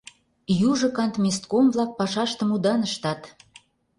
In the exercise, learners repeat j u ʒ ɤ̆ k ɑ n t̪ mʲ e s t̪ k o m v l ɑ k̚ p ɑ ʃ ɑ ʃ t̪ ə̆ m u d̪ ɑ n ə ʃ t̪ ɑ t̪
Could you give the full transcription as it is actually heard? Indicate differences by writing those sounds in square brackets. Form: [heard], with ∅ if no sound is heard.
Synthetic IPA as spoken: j u ʒ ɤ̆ k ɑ n t̪ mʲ e s t̪ k o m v l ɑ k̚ p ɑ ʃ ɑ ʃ t̪ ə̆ m u d̪ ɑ n ə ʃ t̪ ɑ t̪

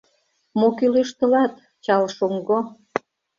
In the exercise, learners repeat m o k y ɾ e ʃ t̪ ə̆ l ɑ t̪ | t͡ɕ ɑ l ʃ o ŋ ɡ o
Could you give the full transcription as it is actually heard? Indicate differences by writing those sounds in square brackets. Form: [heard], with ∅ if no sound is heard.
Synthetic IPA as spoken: m o k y [l] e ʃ t̪ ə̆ l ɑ t̪ | t͡ɕ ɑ l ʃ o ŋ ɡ o

